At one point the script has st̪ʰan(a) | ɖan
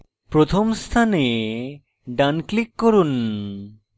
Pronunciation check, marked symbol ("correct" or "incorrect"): incorrect